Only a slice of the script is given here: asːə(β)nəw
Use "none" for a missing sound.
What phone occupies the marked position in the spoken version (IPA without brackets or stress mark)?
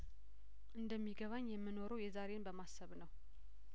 β